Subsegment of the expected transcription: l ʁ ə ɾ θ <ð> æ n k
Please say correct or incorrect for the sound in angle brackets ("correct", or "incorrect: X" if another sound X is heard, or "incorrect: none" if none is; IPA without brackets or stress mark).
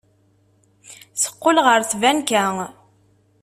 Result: incorrect: v